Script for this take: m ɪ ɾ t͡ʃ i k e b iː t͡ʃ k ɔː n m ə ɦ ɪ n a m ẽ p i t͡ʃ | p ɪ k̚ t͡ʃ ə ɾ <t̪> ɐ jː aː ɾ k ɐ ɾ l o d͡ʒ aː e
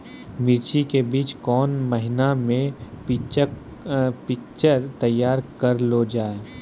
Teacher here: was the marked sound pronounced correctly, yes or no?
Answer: yes